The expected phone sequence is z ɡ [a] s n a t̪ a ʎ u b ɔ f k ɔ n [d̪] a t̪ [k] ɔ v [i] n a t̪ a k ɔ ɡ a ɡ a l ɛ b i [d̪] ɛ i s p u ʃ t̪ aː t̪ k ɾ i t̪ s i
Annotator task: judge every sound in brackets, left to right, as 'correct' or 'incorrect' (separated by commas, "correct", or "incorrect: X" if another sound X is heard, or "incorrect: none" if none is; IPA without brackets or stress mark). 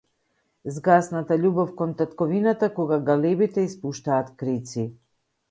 correct, incorrect: t̪, correct, correct, incorrect: t̪